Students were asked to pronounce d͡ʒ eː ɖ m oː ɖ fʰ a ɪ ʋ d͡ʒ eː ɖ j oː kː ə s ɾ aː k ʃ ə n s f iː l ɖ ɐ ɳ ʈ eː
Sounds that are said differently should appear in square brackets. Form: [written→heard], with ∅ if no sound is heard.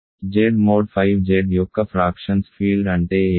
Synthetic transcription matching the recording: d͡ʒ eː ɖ m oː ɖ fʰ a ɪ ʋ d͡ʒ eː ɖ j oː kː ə [s→f] ɾ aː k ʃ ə n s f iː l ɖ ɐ ɳ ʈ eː